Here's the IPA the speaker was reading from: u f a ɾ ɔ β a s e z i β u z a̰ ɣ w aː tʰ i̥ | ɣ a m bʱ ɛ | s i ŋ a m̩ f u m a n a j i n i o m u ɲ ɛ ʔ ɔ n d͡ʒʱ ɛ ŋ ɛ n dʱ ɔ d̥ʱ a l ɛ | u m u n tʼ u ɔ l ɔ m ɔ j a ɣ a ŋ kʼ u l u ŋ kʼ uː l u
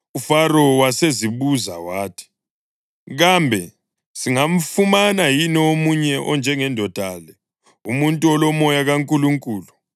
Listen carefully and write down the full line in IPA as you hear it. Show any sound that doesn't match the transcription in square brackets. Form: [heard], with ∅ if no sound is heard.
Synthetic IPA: u f a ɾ ɔ [w] a s e z i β u z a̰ [∅] w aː tʰ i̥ | ɣ a m bʱ ɛ | s i ŋ a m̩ f u m a n a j i n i o m u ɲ ɛ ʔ ɔ n d͡ʒʱ ɛ ŋ ɛ n dʱ ɔ d̥ʱ a l ɛ | u m u n tʼ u ɔ l ɔ m ɔ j a ɣ a ŋ kʼ u l u ŋ kʼ uː l u